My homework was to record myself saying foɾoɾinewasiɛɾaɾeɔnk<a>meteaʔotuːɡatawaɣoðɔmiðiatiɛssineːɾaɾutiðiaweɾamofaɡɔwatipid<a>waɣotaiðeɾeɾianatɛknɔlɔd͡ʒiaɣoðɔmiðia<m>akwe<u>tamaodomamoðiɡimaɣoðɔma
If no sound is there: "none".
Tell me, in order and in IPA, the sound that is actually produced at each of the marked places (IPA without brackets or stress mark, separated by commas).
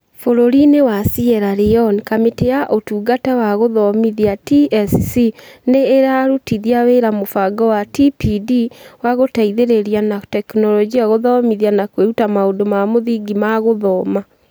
a, i, n, u